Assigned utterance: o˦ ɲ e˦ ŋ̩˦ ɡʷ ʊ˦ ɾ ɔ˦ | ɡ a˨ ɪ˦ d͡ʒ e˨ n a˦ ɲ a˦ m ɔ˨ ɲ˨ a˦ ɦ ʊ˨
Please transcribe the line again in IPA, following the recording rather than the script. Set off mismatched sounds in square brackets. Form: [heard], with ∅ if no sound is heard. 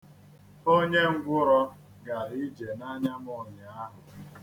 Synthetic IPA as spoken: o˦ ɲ e˦ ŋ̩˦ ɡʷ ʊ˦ ɾ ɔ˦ | ɡ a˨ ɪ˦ d͡ʒ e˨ n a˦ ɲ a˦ m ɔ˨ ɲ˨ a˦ ɦ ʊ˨